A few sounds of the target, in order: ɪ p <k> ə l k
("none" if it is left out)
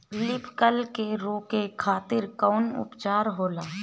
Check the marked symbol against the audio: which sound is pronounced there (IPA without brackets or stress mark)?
k